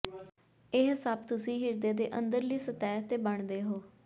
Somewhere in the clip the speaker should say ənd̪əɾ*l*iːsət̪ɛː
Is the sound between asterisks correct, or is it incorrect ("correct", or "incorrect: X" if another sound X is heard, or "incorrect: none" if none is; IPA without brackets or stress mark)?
correct